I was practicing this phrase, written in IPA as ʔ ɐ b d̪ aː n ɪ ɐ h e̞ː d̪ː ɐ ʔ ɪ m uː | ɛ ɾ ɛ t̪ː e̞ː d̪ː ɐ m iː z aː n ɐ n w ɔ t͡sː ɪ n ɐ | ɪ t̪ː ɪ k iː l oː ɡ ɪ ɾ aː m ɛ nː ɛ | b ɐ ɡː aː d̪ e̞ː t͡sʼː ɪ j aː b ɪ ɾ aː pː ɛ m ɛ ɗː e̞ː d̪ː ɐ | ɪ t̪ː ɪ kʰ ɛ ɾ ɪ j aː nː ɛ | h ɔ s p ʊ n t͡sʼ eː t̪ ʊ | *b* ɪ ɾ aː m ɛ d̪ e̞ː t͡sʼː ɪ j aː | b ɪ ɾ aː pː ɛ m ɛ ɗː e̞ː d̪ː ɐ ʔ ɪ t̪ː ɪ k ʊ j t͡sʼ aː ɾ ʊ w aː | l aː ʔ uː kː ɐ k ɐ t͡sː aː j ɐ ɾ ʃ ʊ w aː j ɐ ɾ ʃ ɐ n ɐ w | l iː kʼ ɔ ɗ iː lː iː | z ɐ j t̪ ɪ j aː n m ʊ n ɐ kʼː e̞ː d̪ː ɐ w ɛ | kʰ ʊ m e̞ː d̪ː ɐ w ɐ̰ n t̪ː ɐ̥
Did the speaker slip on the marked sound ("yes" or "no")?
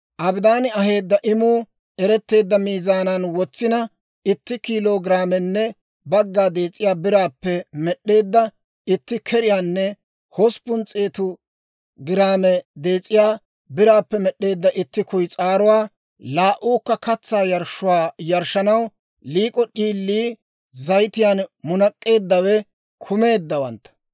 yes